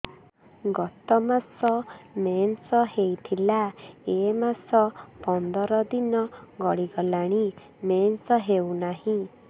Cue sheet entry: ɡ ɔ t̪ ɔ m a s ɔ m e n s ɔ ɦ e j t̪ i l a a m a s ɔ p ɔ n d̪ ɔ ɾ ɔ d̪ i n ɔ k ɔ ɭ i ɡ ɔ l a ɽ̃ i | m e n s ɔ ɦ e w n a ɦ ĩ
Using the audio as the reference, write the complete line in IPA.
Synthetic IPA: ɡ ɔ t̪ ɔ m a s ɔ m e n s ɔ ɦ e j t̪ʰ i l a e m a s ɔ p ɔ n d̪ ɔ ɾ ɔ d̪ i n ɔ ɡ ɔ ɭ i ɡ ɔ l a ɽ̃ i | m e n s ɔ ɦ e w n a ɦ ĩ